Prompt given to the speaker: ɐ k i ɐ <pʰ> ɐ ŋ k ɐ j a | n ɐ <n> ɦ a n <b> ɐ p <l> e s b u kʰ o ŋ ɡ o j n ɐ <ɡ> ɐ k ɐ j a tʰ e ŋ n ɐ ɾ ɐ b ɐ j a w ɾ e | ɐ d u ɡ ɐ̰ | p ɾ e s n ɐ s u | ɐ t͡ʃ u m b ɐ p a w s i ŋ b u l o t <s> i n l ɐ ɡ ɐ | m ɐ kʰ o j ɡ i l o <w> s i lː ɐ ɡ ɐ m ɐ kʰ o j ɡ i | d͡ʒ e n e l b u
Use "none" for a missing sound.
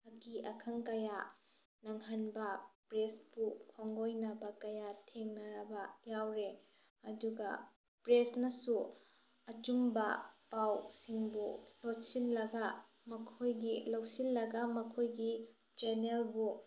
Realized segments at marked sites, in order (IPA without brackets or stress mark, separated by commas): kʰ, ŋ, b, ɾ, b, s, w